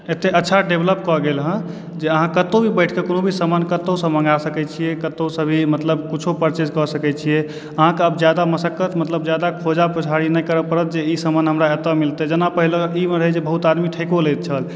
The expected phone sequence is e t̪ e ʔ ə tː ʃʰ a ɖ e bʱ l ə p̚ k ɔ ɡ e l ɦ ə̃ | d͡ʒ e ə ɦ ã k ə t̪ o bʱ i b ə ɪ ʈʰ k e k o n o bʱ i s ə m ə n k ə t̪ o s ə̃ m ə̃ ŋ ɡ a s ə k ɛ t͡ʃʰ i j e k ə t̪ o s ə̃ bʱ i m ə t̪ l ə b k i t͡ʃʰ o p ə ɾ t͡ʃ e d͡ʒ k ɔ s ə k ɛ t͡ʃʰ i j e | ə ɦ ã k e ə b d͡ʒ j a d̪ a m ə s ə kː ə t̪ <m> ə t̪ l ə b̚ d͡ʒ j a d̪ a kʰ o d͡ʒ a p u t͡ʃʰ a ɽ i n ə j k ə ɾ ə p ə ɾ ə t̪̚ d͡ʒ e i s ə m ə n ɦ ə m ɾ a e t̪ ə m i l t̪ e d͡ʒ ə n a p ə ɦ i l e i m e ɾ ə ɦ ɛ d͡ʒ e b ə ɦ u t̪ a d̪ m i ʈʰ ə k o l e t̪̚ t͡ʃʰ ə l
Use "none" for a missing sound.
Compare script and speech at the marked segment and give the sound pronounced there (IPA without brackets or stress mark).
m